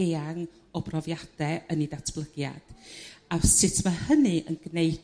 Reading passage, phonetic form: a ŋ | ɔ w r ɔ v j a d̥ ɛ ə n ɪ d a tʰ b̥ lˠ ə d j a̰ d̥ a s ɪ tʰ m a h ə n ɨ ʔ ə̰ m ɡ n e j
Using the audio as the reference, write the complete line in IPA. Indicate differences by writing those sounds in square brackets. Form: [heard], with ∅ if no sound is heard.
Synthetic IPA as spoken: a ŋ | ɔ [b] r ɔ v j a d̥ ɛ ə n [i] d a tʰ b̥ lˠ ə [ɡ] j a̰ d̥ a s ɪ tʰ m a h ə n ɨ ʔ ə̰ [n] ɡ n e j